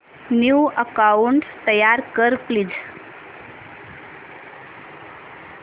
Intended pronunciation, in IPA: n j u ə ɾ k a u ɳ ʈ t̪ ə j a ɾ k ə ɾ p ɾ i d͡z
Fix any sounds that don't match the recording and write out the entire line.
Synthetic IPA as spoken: n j u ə k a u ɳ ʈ t̪ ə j a ɾ k ə ɾ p l i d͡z